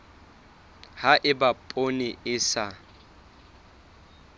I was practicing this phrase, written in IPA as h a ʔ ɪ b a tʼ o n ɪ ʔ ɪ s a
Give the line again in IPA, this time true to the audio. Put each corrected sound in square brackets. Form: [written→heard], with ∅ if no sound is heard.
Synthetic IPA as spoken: h a ʔ ɪ b a [tʼ→pʼ] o n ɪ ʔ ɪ s a